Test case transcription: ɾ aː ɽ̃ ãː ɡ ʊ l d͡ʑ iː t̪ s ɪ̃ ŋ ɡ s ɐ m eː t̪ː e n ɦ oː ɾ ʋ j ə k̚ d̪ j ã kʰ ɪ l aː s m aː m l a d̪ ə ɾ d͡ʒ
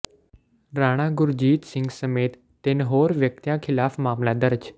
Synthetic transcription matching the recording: ɾ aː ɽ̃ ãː ɡ ʊ ɾ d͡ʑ iː t̪ s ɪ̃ ŋ ɡ s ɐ m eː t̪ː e n ɦ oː ɾ ʋ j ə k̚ t̪ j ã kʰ ɪ l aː f m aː m l a d̪ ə ɾ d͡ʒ